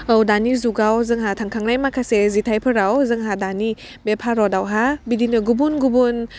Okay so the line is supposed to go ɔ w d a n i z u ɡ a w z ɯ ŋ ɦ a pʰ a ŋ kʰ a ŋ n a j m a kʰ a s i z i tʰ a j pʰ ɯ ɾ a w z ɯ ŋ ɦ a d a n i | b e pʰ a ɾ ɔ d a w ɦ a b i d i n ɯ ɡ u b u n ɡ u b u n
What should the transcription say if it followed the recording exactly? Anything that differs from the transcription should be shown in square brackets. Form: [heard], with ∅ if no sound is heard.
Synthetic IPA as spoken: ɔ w d a n i z u ɡ a w z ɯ ŋ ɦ a [tʰ] a ŋ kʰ a ŋ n a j m a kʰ a s [e] z i tʰ a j pʰ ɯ ɾ a w z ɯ ŋ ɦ a d a n i | b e pʰ a ɾ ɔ d a w ɦ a b i d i n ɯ ɡ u b u n ɡ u b u n